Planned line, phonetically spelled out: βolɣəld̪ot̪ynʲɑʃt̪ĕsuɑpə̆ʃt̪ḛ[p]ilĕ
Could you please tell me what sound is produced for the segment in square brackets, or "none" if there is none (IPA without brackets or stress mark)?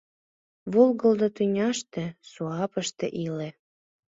ʔ